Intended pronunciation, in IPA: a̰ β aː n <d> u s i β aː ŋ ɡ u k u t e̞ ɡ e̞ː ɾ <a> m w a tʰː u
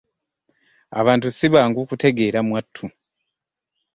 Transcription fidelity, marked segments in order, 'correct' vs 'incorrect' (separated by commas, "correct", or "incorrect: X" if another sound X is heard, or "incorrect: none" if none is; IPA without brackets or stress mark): incorrect: t, correct